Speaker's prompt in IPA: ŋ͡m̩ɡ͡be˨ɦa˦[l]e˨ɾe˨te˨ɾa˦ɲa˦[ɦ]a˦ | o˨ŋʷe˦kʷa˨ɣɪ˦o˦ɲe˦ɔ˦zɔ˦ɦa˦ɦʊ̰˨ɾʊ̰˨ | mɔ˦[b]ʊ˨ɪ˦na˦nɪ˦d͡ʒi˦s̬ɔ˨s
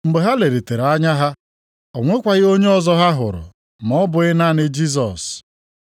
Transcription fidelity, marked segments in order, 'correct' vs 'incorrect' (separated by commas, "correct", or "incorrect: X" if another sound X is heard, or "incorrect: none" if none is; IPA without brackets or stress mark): correct, correct, correct